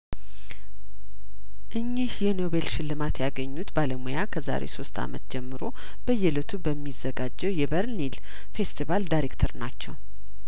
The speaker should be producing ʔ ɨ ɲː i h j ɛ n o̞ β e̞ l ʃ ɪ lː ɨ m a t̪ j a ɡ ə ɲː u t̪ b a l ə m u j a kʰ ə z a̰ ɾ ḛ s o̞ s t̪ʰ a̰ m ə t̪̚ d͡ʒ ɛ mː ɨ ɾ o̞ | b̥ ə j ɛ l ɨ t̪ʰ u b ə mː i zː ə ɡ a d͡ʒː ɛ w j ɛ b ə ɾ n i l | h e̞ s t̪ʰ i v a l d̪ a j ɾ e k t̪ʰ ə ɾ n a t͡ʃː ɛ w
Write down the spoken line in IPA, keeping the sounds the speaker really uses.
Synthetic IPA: ʔ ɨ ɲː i h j ɛ n o̞ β e̞ l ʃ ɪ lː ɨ m a t̪ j a ɡ ə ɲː u t̪ b a l ə m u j a kʰ ə z a̰ ɾ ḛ s o̞ s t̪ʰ a̰ m ə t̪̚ d͡ʒ ɛ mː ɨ ɾ o̞ | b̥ ə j ɛ l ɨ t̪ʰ u b ə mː i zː ə ɡ a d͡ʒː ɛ w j ɛ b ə ɾ n i l | f e̞ s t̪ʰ i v a l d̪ a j ɾ e k t̪ʰ ə ɾ n a t͡ʃː ɛ w